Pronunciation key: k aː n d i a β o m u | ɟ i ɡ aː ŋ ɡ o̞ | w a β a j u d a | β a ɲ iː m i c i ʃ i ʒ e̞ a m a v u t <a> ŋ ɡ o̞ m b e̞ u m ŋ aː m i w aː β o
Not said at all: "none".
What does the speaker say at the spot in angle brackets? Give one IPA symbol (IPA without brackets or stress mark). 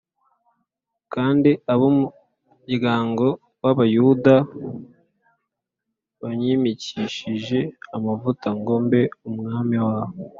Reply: a